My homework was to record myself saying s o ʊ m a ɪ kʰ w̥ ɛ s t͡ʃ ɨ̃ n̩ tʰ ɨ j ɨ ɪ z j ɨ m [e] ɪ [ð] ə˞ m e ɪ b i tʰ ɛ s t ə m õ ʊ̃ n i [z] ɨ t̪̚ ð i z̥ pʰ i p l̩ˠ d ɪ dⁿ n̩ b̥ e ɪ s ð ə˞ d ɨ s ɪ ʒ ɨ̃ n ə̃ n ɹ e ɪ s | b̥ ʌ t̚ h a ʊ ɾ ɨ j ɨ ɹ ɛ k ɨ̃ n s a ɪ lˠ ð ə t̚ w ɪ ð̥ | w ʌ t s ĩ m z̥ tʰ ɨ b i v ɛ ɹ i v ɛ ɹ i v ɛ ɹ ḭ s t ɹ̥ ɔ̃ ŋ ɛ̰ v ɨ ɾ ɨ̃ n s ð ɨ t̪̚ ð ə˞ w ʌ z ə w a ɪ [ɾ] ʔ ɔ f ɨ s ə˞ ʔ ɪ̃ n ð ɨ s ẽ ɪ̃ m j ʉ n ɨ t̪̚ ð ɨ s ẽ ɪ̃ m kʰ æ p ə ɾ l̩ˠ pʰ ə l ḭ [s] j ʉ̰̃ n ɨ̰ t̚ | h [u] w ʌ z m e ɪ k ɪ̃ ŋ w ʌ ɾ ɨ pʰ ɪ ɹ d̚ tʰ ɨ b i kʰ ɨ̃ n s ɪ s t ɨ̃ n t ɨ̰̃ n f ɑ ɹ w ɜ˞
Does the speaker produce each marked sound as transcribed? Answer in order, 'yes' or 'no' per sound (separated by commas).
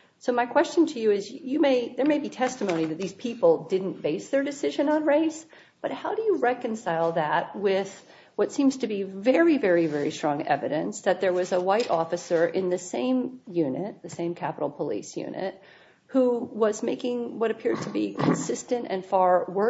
yes, yes, no, yes, yes, yes